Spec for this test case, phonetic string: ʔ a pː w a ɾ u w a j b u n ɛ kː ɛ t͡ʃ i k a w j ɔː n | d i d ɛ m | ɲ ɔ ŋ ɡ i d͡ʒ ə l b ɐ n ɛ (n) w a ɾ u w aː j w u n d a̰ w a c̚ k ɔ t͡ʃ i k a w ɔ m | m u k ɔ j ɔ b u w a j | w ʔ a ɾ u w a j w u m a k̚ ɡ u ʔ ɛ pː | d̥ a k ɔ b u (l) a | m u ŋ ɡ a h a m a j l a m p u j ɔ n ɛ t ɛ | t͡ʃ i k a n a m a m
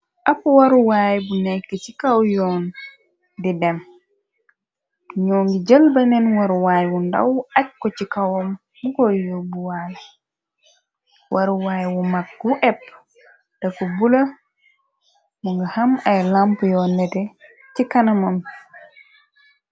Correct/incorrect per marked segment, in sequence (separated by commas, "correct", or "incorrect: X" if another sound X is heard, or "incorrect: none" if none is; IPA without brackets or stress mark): correct, correct